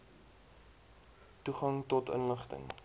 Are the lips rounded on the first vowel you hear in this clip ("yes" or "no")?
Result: yes